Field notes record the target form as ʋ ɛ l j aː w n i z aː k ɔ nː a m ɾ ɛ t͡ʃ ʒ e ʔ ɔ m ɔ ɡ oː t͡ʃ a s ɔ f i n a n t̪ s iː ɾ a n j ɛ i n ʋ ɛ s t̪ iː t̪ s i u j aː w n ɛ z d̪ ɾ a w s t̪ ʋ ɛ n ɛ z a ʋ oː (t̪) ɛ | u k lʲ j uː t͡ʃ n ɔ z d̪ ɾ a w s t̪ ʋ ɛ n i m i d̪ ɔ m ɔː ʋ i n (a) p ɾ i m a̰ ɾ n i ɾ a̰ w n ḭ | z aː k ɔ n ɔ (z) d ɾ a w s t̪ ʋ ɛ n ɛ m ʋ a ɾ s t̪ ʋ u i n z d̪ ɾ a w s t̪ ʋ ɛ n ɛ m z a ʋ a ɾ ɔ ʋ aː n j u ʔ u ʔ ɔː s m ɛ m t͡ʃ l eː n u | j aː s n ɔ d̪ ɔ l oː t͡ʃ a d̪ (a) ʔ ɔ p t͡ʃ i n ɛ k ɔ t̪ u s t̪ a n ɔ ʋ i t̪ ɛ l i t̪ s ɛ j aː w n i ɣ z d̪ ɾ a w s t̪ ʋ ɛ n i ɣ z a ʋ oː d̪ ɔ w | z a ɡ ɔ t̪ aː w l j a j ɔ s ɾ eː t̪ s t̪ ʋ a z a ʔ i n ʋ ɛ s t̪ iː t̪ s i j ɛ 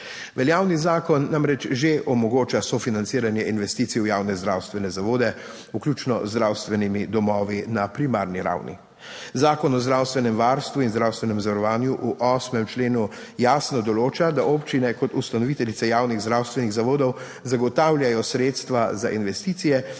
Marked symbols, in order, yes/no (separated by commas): no, yes, yes, yes